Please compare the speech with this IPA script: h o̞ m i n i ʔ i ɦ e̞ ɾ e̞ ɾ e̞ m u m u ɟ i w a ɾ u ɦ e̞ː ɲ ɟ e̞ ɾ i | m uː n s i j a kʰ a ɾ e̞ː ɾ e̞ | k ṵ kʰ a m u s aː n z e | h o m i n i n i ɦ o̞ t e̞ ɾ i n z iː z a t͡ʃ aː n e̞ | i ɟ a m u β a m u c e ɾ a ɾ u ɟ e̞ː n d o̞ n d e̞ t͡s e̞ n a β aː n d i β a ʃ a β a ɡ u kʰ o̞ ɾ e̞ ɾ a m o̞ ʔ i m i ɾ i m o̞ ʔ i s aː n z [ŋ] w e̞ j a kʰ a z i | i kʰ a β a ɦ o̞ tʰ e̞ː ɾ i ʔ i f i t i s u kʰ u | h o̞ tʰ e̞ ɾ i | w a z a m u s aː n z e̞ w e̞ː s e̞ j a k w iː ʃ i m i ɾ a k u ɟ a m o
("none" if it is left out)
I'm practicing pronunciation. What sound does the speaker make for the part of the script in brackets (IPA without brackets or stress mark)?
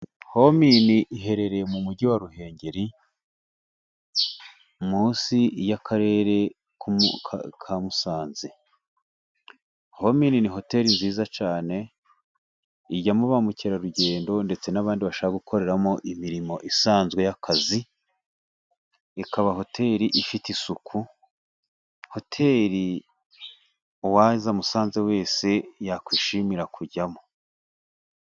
ɡ